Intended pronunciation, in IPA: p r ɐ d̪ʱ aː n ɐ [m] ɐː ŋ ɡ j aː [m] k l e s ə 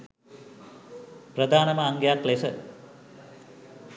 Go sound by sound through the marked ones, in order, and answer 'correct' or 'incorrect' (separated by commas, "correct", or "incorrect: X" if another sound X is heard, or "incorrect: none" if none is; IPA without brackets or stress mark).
correct, incorrect: none